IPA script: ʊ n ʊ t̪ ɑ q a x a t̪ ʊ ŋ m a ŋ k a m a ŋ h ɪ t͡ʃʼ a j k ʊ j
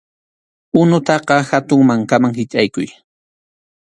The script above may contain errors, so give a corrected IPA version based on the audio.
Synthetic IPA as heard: ʊ n ʊ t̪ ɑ q ɑ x a t̪ ʊ ŋ m a ŋ k a m a ŋ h ɪ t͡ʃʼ a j k ʊ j